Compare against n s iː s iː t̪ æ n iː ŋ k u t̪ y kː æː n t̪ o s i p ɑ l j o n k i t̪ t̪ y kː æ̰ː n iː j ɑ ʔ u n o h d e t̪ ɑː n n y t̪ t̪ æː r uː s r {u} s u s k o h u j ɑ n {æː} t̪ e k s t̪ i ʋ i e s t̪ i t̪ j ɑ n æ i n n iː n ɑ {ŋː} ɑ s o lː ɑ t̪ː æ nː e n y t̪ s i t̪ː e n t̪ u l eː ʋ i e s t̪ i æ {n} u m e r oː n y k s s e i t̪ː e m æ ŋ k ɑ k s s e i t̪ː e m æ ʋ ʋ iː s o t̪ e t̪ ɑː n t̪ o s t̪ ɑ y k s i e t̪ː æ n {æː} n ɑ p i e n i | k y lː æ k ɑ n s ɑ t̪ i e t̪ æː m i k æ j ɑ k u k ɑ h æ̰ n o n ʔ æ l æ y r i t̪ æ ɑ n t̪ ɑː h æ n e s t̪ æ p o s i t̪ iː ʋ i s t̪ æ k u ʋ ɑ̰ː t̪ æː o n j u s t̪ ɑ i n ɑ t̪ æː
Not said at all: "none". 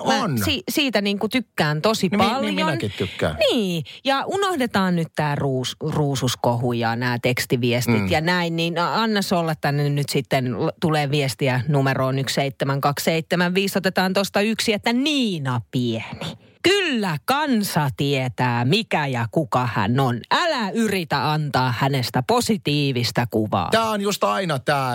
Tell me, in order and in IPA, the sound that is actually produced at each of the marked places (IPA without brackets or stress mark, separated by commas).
uː, æː, nː, n, iː